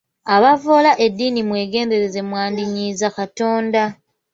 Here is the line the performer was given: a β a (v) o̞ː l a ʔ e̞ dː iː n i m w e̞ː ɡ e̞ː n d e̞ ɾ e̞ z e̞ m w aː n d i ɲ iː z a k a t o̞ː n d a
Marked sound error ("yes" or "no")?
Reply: no